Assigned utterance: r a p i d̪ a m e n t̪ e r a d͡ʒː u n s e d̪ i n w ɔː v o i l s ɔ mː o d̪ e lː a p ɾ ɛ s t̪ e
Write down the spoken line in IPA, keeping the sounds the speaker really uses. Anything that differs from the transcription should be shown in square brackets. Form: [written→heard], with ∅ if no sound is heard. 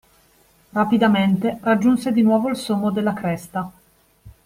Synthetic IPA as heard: r a p i d̪ a m e n t̪ e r a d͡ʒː u n s e d̪ i n w ɔː v o i l s [ɔ→o] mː o d̪ e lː a [p→k] ɾ ɛ s t̪ [e→a]